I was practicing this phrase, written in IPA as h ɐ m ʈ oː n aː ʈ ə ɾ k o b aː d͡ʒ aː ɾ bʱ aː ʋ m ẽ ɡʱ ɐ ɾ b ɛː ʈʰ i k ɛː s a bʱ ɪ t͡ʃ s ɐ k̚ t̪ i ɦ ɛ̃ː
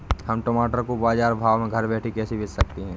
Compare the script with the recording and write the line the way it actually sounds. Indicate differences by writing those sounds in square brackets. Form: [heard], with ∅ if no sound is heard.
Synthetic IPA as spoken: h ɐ m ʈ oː [m] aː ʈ ə ɾ k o b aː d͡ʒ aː ɾ bʱ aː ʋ m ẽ ɡʱ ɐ ɾ b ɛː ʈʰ i k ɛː s [i] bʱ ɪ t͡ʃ s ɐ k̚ t̪ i ɦ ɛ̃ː